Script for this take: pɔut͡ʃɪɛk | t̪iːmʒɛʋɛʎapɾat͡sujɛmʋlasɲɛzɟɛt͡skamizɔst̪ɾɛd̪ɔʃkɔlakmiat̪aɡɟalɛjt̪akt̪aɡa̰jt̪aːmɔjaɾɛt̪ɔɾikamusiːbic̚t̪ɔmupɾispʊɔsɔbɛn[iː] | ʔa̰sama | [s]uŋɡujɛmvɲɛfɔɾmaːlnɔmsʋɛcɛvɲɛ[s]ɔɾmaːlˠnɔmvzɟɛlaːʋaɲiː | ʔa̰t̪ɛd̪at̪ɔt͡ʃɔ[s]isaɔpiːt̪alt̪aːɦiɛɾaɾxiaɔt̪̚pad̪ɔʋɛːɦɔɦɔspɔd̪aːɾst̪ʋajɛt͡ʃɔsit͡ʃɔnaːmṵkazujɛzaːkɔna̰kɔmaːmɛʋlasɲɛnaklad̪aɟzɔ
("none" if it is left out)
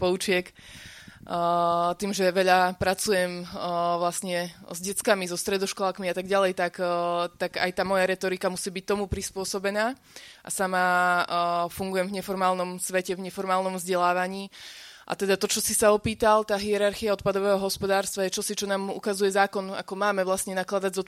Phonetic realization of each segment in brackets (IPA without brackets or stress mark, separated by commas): aː, f, f, s